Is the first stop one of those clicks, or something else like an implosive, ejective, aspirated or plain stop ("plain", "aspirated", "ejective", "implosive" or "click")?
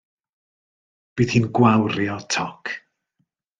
plain